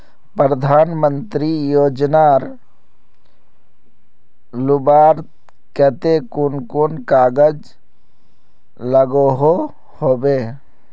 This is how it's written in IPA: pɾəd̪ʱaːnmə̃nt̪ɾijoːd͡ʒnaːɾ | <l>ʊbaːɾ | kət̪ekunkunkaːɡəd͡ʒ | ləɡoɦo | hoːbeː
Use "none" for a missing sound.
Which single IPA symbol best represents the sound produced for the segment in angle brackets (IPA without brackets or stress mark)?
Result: l